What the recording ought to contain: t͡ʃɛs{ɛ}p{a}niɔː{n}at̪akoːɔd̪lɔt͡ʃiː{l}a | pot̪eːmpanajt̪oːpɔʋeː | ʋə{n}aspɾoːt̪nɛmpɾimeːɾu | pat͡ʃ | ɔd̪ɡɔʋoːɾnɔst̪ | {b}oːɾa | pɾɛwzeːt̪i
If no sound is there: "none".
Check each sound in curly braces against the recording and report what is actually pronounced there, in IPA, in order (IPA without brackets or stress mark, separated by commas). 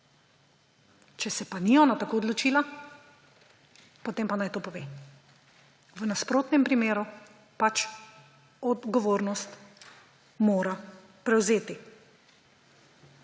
ɛ, a, n, l, n, m